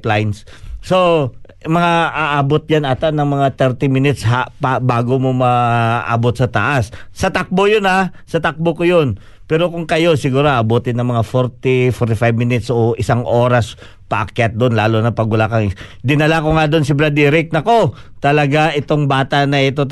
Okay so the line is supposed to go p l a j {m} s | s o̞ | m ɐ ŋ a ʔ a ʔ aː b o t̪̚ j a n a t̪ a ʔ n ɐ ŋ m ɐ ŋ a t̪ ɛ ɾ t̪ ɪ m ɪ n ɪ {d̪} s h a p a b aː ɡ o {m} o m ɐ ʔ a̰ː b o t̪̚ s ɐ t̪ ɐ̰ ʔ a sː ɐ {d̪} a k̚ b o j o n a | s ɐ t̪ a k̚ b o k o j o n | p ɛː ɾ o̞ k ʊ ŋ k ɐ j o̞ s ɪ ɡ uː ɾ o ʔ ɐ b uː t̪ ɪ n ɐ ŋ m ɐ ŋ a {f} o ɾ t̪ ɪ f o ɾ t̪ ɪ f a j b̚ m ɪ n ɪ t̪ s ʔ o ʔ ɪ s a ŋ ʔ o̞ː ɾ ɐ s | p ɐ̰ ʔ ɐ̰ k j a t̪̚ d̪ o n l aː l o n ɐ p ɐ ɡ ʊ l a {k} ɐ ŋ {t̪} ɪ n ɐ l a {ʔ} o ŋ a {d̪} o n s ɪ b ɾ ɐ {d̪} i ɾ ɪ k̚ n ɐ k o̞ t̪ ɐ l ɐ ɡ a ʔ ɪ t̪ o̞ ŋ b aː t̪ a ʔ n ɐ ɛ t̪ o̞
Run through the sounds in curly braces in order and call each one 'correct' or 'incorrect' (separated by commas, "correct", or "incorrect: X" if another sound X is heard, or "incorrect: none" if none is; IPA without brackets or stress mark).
incorrect: n, incorrect: t̪, correct, incorrect: t̪, correct, correct, incorrect: d̪, incorrect: k, correct, correct